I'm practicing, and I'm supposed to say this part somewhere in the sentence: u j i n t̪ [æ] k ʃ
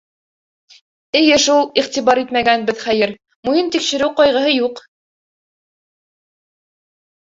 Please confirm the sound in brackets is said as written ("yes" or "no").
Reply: no